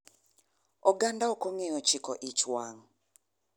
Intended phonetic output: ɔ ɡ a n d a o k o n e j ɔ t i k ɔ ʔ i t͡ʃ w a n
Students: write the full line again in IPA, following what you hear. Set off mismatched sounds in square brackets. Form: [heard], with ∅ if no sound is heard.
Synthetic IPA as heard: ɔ ɡ a n d a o k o [ŋ] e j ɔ [t͡ʃ] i k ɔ ʔ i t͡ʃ w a [ŋ]